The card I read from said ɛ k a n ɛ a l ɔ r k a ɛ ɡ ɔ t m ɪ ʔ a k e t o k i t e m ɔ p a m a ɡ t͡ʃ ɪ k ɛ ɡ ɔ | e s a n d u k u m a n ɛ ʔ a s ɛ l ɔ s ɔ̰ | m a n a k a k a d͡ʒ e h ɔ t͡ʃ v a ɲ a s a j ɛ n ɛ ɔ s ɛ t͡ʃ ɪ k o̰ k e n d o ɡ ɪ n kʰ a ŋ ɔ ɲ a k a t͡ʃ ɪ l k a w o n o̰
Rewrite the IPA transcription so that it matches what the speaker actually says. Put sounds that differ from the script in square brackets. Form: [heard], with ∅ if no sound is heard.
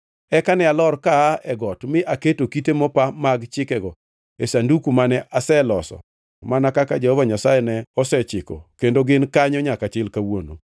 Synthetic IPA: ɛ k a n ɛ a l ɔ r k a ɛ ɡ ɔ t m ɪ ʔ a k e t o k i t e m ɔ p a m a ɡ t͡ʃ ɪ k ɛ ɡ ɔ | e s a n d u k u m a n ɛ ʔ a s ɛ l ɔ s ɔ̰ | m a n a k a k a d͡ʒ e h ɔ [∅] v a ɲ a s a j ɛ n ɛ ɔ s ɛ t͡ʃ ɪ k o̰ k e n d o ɡ ɪ n [k] a [ɲ] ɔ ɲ a k a t͡ʃ ɪ l k a w o n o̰